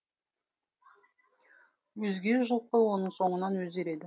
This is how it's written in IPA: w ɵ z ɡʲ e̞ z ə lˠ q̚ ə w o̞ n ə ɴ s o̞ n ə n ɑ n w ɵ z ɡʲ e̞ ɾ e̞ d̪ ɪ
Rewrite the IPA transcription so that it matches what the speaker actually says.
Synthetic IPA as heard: w ɵ z ɡʲ e̞ ʒ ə lˠ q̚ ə w o̞ n ə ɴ s o̞ ɴ ə n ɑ n w ɵ z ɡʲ e̞ ɾ e̞ d̪ ɪ

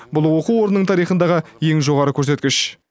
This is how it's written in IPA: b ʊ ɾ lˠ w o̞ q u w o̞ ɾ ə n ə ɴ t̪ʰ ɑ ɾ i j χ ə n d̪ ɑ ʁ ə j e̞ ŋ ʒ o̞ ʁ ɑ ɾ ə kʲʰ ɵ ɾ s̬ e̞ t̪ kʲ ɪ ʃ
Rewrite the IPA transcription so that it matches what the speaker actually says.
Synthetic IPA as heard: b ʊ lˠ w o̞ q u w o̞ ɾ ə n ə ɴ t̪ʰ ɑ ɾ i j χ ə n d̪ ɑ ʁ ə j e̞ ŋ ʒ o̞ ʁ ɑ ɾ ə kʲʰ ɵ ɾ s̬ e̞ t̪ kʲ ɪ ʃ

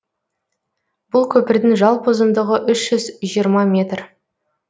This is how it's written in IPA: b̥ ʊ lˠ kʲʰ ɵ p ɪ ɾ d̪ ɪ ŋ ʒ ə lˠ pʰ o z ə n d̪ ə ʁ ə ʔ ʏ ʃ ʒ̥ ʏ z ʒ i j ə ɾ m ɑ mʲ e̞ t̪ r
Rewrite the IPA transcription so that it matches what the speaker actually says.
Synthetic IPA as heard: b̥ ʊ lˠ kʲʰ ɵ p ɪ ɾ d̪ ɪ ŋ ʒ ɑ lˠ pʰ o z ə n d̪ ə ʁ ə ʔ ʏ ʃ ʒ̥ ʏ z ʒ i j ə ɾ m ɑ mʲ e̞ t̪ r

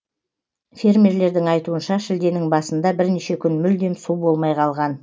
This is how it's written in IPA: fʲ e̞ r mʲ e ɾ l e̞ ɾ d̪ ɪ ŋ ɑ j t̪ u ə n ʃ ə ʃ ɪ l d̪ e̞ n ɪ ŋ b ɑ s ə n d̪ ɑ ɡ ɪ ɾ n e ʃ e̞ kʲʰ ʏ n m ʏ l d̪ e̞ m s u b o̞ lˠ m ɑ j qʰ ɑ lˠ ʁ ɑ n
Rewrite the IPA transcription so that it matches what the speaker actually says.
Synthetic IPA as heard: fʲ e̞ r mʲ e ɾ l e̞ ɾ d̪ ɪ ŋ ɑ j t̪ u ə n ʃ ɑ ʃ ɪ l d̪ e̞ n ɪ ŋ b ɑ s ə n d̪ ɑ b ɪ ɾ n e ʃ e̞ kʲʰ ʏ n m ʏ l d̪ e̞ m s u b o̞ lˠ m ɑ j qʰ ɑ lˠ ʁ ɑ n

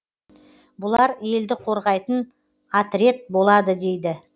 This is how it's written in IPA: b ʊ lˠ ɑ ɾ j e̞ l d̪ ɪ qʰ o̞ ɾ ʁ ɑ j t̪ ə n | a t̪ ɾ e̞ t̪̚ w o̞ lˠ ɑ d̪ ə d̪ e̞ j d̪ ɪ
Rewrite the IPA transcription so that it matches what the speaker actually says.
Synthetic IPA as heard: b ʊ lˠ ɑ ɾ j e̞ l d̪ ɪ qʰ o̞ ɾ ʁ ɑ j t̪ ə n | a t̪ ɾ e̞ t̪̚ b o̞ lˠ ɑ d̪ ə d̪ e̞ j d̪ ɪ

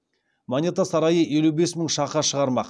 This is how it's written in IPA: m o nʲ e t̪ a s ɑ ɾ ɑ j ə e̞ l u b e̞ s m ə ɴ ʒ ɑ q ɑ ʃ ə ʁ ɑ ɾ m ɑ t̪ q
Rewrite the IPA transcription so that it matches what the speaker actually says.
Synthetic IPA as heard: m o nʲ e t̪ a s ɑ ɾ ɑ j ə e̞ l u b e̞ s m ə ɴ ʃ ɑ q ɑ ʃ ə ʁ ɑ ɾ m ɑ q

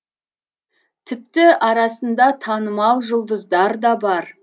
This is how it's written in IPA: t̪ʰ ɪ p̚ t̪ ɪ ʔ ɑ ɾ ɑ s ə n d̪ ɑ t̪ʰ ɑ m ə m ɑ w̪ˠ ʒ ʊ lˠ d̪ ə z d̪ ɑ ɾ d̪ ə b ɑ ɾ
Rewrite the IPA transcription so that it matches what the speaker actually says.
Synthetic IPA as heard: t̪ʰ ɪ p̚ t̪ ɪ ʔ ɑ ɾ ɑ s ə n d̪ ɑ t̪ʰ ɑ n ə m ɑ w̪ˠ ʒ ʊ lˠ d̪ ə z d̪ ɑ ɾ d̪ ɑ b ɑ ɾ

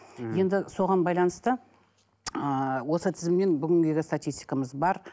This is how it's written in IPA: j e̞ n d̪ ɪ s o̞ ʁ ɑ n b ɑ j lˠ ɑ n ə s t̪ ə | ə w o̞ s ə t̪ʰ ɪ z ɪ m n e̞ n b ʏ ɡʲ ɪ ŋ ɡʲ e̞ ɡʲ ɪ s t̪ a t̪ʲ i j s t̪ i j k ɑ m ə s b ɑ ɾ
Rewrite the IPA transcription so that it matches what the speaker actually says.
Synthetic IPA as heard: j e̞ n d̪ ɪ s o̞ ʁ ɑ n b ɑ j lˠ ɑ n ə s t̪ ə | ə w o̞ s ə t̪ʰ ɪ z ɪ m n e̞ n b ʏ ɡʲ ɪ ŋ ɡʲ e̞ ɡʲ ɪ s t̪ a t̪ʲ i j s t̪ i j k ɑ m ə z b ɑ ɾ

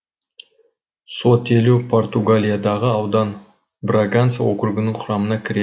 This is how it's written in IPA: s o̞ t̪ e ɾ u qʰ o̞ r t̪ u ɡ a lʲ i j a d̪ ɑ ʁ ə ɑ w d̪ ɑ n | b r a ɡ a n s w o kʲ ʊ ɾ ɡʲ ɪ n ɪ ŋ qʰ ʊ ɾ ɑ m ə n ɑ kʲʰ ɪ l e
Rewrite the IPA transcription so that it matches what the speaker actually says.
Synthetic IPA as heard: s o̞ t̪ e l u pʰ o̞ r t̪ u ɡ a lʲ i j a d̪ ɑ ʁ ə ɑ w d̪ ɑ n | b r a ɡ a n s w o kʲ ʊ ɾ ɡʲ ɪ n ɪ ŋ qʰ ʊ ɾ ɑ m ə n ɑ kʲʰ ɪ ɾ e

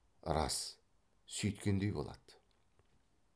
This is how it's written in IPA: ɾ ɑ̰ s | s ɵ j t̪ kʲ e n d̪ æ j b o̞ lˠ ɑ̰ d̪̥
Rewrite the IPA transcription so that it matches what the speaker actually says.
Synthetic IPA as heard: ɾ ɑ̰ s | s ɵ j t̪ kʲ e n d̪ e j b o̞ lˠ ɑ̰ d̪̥

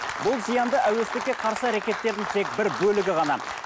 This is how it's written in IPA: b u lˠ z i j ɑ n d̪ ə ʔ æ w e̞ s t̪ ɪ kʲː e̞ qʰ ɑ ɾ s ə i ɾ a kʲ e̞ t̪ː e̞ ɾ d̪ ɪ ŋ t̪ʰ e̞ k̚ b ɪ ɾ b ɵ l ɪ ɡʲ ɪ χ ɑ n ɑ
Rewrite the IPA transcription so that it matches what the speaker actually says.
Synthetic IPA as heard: b ʊ lˠ z i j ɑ n d̪ ə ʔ æ w e̞ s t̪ ɪ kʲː e̞ qʰ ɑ ɾ s ə æ ɾ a kʲ e̞ t̪ː e̞ ɾ d̪ ɪ ŋ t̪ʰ e̞ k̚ b ɪ ɾ b ɵ l ɪ ɡʲ ɪ ʁ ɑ n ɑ

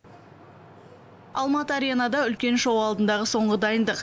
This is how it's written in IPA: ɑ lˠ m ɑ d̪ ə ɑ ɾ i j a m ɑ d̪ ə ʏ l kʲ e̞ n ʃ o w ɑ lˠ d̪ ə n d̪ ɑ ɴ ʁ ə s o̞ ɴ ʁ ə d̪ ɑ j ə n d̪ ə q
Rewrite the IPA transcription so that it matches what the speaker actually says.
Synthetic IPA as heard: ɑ lˠ m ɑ t̪ ə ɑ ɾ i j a n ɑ d̪ ɑ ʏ l kʲ e̞ n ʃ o w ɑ lˠ d̪ ə n d̪ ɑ ʁ ə s o̞ ɴ ʁ ə d̪ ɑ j ə n d̪ ə q

